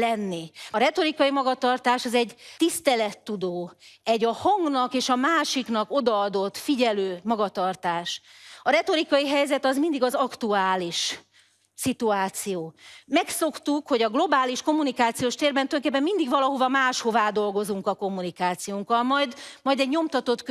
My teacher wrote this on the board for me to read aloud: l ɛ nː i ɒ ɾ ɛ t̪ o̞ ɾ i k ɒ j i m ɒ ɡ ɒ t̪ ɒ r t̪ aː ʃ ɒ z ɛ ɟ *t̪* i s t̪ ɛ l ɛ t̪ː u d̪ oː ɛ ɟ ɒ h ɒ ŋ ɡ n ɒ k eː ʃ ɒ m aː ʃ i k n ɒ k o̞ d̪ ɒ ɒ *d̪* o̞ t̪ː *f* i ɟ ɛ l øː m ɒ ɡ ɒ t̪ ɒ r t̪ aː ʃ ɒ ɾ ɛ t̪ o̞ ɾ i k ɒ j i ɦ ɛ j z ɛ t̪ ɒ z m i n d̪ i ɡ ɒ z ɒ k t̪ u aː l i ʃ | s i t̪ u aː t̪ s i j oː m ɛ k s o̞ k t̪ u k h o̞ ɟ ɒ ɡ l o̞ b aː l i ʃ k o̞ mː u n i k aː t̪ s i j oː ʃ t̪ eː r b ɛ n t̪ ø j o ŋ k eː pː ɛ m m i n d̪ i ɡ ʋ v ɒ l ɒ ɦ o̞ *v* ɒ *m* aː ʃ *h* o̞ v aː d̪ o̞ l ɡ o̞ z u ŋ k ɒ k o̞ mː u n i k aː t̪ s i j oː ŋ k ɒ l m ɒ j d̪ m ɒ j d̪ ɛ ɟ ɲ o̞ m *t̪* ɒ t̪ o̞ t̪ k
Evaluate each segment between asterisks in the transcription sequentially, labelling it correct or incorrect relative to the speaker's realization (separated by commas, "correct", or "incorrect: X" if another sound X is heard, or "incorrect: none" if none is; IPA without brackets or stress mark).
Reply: correct, correct, correct, correct, correct, correct, correct